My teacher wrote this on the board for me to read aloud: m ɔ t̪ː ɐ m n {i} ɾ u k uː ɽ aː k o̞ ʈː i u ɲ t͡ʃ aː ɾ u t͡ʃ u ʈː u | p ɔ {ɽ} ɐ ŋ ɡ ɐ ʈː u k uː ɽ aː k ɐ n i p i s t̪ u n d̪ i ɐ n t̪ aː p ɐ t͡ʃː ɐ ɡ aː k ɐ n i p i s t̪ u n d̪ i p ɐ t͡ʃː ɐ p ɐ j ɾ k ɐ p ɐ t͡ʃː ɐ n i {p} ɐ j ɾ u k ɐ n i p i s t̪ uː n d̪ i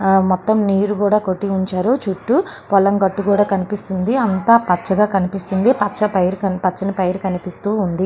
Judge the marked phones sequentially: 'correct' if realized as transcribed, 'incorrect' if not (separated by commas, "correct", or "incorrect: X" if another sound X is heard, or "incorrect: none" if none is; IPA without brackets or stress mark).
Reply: incorrect: iː, incorrect: l, correct